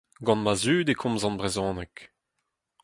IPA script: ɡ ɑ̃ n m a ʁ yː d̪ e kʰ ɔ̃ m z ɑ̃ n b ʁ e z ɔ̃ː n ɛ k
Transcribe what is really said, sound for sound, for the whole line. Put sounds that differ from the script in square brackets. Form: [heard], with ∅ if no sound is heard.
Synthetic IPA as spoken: ɡ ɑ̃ n m a [z] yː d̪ e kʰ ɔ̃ m z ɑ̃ n b ʁ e z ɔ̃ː n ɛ k